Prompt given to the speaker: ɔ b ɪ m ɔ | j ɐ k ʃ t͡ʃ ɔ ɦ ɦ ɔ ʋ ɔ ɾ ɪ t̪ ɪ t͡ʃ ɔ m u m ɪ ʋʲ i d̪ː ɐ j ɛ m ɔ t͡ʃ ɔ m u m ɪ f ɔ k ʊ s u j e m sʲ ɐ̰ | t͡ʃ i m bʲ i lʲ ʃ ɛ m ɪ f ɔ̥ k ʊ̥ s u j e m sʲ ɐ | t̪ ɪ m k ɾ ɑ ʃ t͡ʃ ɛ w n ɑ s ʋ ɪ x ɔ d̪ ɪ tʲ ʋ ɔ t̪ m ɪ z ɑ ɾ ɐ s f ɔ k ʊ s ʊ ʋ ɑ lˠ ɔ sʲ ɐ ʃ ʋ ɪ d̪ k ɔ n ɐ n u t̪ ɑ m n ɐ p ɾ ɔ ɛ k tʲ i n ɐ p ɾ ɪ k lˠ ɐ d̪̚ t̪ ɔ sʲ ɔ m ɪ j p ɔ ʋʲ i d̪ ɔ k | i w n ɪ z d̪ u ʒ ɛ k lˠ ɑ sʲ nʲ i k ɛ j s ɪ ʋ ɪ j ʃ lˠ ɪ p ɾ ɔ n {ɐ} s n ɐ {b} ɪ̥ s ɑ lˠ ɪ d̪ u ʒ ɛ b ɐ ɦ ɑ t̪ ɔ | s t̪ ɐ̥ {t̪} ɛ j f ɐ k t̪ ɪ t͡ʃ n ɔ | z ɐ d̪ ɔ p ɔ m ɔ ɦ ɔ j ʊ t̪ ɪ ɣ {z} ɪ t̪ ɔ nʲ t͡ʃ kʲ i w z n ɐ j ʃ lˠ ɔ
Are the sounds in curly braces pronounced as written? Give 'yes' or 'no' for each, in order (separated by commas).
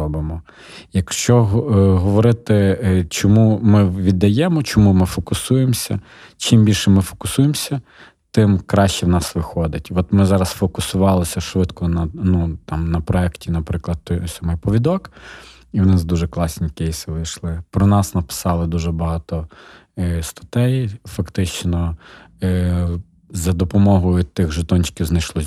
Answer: no, no, yes, no